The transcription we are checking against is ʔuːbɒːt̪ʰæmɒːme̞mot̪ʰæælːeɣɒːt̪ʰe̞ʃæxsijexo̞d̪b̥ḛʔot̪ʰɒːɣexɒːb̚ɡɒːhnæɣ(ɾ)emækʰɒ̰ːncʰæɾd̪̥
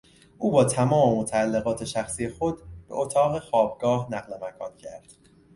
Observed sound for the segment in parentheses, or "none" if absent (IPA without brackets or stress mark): l